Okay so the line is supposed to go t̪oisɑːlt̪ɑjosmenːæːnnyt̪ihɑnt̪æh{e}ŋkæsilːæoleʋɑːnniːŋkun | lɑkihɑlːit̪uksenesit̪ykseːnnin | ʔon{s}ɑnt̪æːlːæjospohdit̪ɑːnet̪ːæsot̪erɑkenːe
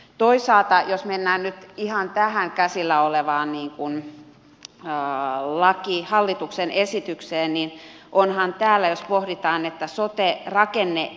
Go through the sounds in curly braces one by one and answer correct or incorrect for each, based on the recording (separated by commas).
incorrect, incorrect